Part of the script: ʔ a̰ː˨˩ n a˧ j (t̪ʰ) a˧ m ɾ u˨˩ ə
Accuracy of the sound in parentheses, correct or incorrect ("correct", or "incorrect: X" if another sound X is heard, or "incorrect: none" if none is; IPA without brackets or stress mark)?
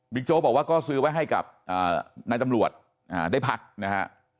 incorrect: t̪